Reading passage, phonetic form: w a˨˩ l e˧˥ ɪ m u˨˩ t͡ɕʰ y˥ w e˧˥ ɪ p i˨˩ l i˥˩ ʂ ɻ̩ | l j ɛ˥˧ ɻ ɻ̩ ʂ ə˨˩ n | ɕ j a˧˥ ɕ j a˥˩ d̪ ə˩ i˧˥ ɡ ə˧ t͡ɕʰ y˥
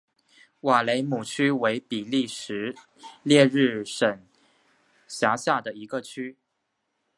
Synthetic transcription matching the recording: w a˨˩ l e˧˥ ɪ m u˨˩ t͡ɕʰ y˥ w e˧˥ ɪ p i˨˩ l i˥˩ ʂ ɻ̩ | l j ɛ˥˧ ɻ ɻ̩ ʂ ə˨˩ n | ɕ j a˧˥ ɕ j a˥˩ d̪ ə˩ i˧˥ ɡ ə˧ t͡ɕʰ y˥